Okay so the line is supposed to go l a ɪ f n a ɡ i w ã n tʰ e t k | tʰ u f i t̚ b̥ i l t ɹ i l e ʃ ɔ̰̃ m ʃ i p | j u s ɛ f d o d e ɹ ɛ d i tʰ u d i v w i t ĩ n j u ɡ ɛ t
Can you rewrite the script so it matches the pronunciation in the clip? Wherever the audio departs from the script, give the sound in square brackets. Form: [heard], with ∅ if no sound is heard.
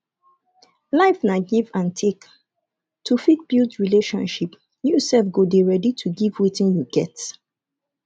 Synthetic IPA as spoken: l a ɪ f n a ɡ i [v] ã n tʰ e [∅] k | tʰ u f i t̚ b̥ i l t ɹ i l e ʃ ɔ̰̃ [n] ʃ i p | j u s ɛ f [ɡ] o d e ɹ ɛ d i tʰ u [ɡ] i v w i t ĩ n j u ɡ ɛ t